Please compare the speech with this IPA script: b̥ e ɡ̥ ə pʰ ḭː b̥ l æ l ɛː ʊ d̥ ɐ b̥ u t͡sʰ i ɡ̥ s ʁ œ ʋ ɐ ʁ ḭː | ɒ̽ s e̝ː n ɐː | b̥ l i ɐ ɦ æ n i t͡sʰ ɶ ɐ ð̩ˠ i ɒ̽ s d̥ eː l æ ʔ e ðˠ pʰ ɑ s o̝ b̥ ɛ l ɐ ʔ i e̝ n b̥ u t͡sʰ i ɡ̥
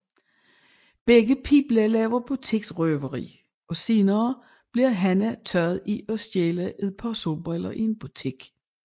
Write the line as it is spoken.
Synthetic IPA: b̥ e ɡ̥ ə pʰ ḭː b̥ l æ l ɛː ʊ ɐ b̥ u t͡sʰ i ɡ̥ s ʁ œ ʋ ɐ ʁ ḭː | ɒ̽ s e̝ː n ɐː | b̥ l i ɐ ɦ æ n æ t͡sʰ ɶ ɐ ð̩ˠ i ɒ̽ s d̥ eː l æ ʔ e ðˠ pʰ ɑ s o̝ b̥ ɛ l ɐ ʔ i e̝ n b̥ u t͡sʰ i ɡ̥